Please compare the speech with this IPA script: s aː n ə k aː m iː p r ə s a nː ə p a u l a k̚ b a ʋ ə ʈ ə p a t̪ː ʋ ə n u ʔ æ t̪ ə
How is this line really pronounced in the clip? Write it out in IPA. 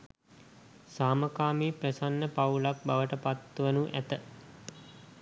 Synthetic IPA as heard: s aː m ə k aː m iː p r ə s a nː ə p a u l a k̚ b a ʋ ə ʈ ə p a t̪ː ʋ ə n u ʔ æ t̪ ə